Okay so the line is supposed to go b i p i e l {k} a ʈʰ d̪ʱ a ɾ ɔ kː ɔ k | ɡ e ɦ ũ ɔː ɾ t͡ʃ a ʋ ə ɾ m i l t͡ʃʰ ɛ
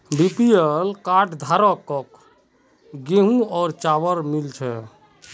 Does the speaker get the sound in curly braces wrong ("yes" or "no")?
no